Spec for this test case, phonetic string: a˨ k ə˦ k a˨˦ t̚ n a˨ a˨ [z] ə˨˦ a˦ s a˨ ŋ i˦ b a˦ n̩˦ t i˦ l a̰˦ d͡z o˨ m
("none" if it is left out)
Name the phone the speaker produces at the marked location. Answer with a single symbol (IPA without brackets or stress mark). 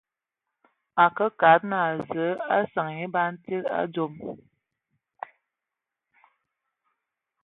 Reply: z